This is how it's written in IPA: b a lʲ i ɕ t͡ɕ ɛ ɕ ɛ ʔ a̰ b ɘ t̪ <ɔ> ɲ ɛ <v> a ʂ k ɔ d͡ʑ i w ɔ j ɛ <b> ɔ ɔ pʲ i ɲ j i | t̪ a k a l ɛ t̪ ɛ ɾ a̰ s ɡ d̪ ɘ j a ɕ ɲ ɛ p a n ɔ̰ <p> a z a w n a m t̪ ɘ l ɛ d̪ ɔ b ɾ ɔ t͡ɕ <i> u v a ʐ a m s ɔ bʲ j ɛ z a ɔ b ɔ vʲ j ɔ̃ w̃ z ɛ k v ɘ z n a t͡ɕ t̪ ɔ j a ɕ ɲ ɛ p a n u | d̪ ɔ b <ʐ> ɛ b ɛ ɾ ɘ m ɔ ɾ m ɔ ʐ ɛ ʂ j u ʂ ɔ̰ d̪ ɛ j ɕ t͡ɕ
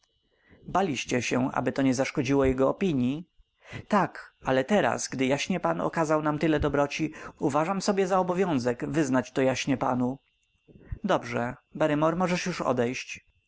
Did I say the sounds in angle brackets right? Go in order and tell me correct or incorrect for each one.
correct, incorrect: z, incorrect: ɡ, incorrect: k, correct, correct

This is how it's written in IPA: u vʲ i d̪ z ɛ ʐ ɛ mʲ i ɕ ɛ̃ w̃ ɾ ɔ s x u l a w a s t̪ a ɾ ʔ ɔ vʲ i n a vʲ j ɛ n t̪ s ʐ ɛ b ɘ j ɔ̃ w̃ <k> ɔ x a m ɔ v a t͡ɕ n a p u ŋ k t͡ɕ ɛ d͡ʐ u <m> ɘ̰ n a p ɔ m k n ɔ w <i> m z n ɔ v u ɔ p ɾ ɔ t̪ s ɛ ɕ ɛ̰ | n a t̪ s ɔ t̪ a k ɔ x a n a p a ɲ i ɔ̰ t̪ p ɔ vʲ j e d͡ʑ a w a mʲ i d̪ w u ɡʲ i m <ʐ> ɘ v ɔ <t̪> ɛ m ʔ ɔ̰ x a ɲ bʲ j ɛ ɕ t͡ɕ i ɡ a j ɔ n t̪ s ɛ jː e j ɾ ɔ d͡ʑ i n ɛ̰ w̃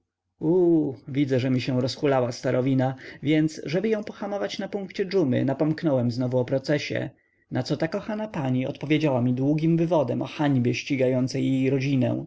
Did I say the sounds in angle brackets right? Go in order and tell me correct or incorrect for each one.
incorrect: p, correct, incorrect: ɛ, incorrect: v, incorrect: d̪

